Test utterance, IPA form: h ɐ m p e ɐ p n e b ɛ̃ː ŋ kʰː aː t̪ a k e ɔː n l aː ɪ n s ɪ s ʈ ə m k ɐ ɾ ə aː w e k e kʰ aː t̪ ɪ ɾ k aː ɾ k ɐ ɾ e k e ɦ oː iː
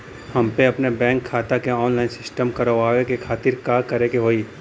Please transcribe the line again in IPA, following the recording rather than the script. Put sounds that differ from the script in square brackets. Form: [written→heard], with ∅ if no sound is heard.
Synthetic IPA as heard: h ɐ m p e ɐ p n e b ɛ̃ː ŋ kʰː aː t̪ a k e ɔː n l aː ɪ n s ɪ s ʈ ə m k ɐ ɾ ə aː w e k e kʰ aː t̪ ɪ ɾ k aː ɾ k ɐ ɾ e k e ɦ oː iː